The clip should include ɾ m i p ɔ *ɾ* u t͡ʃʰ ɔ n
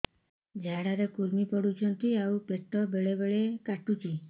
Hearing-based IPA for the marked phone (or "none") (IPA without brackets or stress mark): ɽ